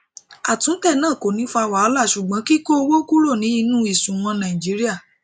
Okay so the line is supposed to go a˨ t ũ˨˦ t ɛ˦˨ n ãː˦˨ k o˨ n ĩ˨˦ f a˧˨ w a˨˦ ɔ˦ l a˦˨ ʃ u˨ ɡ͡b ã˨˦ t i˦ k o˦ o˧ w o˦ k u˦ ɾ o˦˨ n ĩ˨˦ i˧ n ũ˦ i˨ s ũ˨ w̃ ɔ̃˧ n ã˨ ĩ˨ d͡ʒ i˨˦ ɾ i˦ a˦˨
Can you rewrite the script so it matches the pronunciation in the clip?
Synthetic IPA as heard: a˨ t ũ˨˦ t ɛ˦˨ n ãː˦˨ k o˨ n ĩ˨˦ f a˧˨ w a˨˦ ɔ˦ l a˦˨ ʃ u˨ ɡ͡b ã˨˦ k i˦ k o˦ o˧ w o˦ k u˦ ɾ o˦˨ n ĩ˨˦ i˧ n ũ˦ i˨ s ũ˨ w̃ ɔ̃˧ n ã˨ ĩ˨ d͡ʒ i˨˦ ɾ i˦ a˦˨